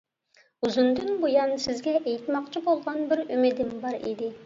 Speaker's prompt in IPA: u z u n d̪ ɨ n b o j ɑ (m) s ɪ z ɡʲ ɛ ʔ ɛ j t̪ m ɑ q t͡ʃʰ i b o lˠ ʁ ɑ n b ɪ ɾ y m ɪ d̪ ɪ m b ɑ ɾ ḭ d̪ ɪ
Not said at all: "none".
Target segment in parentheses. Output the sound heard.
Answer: n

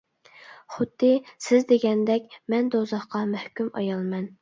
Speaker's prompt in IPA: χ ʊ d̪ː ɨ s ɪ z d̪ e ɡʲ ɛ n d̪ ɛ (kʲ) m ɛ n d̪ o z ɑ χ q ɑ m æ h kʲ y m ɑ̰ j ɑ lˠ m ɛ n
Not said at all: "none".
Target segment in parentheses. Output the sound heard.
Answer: kʲ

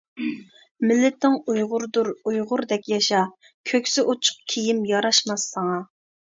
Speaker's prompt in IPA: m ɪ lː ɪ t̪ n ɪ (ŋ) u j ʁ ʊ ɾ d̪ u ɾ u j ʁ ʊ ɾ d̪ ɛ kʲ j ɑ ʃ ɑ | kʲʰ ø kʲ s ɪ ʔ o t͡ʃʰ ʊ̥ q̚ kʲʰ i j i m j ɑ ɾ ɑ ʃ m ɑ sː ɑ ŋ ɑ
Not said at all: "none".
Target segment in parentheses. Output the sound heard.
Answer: ŋ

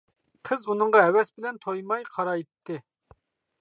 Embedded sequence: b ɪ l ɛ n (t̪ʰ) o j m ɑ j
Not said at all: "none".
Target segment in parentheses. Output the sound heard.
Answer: t̪ʰ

